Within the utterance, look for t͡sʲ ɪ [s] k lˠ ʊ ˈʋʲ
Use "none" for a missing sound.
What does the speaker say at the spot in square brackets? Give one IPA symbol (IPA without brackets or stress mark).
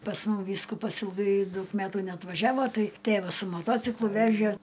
none